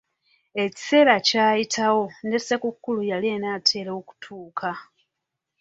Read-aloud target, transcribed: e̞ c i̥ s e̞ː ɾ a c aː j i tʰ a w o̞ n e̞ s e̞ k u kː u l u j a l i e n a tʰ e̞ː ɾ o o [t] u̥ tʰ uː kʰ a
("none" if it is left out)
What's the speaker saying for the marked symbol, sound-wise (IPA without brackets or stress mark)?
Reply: k